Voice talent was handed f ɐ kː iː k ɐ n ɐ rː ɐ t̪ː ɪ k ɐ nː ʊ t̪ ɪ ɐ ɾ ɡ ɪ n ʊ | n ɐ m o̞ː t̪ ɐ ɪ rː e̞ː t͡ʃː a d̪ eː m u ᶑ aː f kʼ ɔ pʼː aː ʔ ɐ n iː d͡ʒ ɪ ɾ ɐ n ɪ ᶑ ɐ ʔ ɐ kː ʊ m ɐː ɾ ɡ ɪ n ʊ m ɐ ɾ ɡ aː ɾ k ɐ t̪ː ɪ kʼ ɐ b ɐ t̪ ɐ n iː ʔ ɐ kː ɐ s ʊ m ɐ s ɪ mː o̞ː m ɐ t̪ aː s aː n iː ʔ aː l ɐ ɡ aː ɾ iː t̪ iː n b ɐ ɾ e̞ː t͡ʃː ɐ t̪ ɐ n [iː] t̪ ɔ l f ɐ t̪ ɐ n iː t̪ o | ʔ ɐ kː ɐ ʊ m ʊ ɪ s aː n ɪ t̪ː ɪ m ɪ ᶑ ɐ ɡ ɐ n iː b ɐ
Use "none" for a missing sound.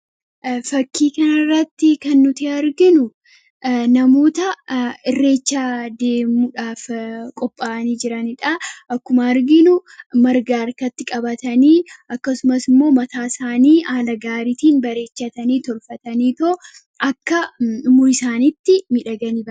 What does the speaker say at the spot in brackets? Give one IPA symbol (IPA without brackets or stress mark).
iː